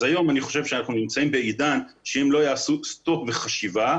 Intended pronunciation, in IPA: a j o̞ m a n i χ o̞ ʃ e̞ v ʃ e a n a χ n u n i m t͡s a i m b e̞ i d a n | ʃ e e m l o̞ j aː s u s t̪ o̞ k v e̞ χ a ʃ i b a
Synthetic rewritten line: a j o̞ m a n i χ o̞ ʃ e̞ v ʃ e a n a χ n u n i m t͡s a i m b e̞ i d a n | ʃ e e m l o̞ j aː s u s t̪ o̞ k v e̞ χ a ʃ i v a